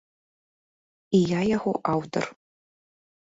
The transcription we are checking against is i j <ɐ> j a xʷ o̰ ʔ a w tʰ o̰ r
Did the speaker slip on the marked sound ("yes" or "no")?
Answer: yes